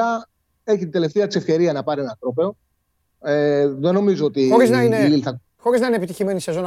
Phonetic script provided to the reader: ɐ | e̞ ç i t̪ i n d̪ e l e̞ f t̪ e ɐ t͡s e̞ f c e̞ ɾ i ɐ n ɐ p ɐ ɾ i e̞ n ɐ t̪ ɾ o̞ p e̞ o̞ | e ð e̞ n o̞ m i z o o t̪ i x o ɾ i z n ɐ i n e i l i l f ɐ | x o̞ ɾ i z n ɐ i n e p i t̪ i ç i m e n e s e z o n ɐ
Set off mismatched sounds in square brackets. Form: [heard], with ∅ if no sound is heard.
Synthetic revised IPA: ɐ | e̞ ç i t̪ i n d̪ e l e̞ f t̪ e ɐ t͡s e̞ f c e̞ ɾ i ɐ n ɐ p ɐ ɾ i e̞ n ɐ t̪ ɾ o̞ p e̞ o̞ | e ð e̞ n o̞ m i z o o t̪ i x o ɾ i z n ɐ i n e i l i l [θ] ɐ | x o̞ ɾ i z n ɐ i n e p i t̪ i ç i m e n [i] s e z o n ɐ